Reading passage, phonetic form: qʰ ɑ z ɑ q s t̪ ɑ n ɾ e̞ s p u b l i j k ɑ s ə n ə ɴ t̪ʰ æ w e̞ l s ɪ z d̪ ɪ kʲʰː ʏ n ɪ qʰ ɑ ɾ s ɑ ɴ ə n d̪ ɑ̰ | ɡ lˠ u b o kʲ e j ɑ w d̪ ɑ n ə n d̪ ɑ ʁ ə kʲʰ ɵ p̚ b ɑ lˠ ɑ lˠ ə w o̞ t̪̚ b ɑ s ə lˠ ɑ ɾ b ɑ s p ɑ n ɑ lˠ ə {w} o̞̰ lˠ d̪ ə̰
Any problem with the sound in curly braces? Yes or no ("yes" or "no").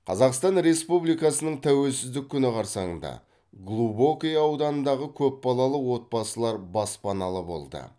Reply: yes